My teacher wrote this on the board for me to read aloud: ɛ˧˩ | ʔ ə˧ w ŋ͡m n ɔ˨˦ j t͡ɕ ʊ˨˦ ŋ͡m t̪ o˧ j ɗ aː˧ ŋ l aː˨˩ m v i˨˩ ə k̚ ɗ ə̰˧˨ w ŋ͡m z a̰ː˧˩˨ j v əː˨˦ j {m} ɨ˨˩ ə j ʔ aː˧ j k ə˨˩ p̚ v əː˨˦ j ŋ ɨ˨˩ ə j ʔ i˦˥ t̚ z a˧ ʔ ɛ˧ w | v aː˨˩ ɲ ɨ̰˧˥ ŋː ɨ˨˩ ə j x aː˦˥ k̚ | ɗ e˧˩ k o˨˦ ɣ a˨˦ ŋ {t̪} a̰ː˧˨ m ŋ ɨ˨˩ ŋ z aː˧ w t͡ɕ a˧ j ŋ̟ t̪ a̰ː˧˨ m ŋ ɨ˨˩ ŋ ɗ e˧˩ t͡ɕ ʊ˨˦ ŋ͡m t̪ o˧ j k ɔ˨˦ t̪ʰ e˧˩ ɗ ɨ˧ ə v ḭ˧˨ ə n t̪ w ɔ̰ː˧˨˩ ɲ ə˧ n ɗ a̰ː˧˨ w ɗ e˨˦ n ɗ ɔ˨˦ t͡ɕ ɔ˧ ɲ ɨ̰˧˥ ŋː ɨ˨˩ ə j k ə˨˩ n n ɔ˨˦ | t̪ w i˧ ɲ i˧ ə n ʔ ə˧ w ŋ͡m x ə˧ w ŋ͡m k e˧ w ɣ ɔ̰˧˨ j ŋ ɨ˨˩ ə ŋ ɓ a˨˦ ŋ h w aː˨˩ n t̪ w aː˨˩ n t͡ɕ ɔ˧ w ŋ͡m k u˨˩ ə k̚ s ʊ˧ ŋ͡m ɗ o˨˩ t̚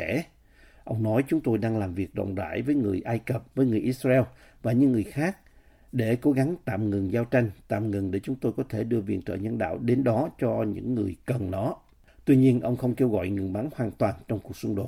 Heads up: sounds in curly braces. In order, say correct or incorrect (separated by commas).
incorrect, correct